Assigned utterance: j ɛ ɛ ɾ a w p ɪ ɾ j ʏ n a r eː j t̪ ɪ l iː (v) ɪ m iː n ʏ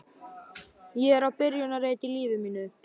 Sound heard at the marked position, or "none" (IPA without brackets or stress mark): v